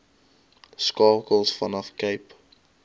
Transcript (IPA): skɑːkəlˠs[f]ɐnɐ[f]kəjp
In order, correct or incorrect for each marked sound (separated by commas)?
correct, correct